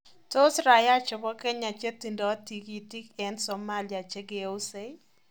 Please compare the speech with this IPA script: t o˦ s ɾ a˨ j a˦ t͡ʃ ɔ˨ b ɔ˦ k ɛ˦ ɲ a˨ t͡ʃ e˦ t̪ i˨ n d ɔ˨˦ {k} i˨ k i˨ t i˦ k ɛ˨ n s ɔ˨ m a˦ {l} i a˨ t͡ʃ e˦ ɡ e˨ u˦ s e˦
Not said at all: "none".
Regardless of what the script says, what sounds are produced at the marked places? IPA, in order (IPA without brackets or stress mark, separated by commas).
t, l